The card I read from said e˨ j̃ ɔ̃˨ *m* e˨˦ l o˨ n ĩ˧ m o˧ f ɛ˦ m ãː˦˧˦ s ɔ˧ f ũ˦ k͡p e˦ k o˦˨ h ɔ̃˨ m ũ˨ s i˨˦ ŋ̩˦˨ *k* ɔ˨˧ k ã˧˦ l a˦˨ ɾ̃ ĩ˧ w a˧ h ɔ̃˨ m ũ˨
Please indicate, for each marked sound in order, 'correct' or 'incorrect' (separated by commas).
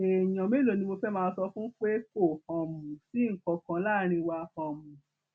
correct, correct